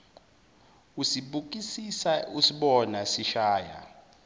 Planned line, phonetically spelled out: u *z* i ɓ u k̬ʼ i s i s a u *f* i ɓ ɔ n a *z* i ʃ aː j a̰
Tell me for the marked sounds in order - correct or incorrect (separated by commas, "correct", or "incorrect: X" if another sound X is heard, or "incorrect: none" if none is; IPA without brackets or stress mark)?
incorrect: s, incorrect: s, incorrect: s